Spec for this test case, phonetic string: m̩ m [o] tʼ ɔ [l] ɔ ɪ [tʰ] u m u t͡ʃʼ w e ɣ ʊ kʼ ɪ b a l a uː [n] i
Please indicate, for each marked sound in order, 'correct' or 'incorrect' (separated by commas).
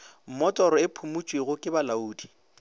incorrect, incorrect, incorrect, incorrect